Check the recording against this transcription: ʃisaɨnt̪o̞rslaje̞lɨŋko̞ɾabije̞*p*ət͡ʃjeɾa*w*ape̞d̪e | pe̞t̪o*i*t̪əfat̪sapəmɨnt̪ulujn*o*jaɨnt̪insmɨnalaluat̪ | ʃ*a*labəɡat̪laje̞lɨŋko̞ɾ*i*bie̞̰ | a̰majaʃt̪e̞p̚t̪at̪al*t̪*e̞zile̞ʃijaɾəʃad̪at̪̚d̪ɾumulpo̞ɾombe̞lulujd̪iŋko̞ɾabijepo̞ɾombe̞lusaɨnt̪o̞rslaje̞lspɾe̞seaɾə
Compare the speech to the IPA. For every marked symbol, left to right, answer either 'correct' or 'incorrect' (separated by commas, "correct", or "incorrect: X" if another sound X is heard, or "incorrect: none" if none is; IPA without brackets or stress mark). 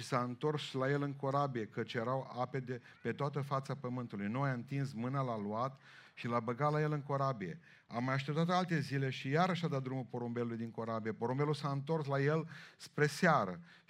incorrect: k, correct, incorrect: a, correct, incorrect: i, incorrect: a, correct